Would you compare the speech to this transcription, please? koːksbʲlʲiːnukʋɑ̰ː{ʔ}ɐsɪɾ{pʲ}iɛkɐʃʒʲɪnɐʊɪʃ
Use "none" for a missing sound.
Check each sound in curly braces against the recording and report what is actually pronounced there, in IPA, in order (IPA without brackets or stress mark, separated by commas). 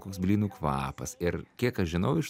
p, kʲ